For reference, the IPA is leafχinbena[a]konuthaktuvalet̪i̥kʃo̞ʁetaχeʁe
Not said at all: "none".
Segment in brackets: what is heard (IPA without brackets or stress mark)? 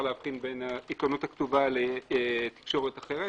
i